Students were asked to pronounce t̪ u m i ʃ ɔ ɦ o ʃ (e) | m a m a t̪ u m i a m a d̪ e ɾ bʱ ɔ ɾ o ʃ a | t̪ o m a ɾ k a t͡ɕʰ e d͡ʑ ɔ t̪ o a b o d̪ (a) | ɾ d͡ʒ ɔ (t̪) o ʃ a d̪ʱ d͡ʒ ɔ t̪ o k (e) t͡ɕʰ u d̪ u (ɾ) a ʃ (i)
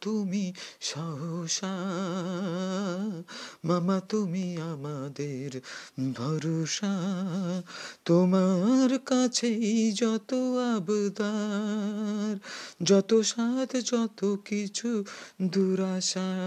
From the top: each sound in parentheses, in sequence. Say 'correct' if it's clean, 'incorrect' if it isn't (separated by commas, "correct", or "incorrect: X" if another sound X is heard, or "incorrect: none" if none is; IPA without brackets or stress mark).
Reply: incorrect: a, correct, correct, incorrect: i, correct, incorrect: a